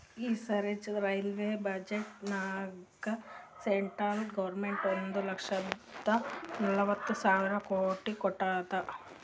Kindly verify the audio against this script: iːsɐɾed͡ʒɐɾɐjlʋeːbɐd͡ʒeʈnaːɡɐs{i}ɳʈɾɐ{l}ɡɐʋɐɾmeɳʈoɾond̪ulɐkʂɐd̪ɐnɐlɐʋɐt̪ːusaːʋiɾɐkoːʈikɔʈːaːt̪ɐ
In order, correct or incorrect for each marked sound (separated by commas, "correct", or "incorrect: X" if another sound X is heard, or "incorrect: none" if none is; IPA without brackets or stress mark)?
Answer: incorrect: e, correct